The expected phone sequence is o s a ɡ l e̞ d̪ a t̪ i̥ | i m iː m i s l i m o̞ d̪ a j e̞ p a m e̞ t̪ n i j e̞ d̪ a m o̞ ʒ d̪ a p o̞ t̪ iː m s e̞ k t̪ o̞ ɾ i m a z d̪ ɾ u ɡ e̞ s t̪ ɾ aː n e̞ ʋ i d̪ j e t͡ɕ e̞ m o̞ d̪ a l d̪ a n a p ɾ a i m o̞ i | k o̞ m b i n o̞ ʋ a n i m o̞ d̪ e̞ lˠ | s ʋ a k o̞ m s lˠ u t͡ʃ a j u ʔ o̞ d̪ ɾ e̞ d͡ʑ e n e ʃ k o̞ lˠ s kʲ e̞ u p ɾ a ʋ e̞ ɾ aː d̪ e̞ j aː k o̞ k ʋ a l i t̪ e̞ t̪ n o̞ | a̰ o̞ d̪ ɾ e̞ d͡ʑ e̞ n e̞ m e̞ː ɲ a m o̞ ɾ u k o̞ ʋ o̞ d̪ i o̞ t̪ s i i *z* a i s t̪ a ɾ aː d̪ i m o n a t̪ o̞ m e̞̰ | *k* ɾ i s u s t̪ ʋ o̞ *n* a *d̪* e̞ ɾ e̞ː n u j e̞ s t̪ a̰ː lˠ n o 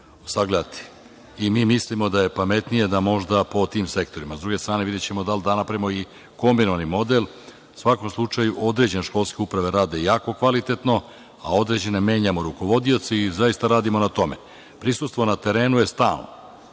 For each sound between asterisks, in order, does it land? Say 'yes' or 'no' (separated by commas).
yes, no, yes, no